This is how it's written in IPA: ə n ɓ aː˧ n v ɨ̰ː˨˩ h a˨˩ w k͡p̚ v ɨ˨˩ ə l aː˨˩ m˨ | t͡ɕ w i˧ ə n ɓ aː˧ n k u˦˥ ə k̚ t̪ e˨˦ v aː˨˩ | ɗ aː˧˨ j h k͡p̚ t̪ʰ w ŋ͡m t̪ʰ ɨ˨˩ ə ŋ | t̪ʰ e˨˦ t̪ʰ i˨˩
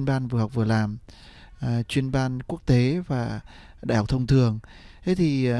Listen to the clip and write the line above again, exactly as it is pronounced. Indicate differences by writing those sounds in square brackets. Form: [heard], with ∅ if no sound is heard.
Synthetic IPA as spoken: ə n ɓ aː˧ n v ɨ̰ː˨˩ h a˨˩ w k͡p̚ v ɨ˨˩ ə l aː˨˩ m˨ | t͡ɕ w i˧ ə n ɓ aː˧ n k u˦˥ ə k̚ t̪ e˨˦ v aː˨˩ | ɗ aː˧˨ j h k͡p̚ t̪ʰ w ŋ͡m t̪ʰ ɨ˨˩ ə ŋ | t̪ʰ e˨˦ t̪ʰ i˨˩